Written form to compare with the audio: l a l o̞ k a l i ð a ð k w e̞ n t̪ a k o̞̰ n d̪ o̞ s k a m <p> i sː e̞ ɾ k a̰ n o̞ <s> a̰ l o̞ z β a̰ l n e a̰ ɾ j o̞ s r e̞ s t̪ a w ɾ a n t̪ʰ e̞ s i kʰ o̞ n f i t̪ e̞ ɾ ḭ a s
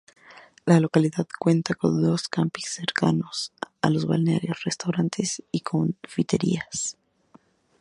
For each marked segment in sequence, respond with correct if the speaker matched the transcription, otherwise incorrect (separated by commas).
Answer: correct, correct